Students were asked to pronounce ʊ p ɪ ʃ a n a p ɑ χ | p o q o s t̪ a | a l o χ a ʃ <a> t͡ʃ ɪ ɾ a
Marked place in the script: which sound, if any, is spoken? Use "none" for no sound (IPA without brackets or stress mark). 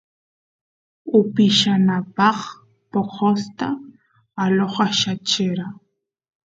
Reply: a